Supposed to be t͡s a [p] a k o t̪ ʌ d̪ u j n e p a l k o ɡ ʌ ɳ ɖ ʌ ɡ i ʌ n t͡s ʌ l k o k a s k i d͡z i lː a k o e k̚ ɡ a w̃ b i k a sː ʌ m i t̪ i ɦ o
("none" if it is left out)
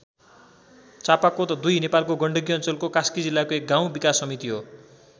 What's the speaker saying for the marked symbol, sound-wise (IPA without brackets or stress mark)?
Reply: p